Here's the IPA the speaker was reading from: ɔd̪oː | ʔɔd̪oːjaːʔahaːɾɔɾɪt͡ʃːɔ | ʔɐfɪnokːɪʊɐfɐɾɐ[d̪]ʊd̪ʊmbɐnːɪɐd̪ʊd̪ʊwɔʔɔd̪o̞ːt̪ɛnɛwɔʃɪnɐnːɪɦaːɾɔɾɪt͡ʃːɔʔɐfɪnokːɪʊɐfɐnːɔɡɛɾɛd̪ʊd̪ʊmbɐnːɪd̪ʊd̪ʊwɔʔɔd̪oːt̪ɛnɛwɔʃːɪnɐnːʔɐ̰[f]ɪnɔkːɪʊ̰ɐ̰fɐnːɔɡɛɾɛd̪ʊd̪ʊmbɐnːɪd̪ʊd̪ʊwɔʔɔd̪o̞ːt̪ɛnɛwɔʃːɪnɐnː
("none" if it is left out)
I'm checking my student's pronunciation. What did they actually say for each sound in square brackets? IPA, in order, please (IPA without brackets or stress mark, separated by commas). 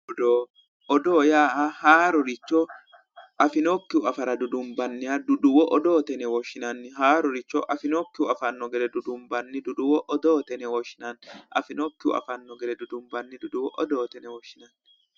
d̪, f